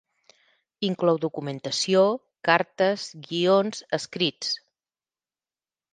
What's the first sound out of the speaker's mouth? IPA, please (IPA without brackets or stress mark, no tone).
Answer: i